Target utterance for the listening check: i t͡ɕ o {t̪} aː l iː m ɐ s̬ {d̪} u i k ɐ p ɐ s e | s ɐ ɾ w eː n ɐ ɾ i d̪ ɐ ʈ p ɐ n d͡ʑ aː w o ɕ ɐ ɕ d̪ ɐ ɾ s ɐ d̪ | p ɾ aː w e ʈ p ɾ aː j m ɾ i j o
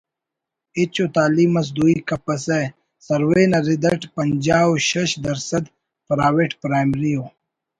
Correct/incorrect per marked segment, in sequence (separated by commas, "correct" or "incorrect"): correct, correct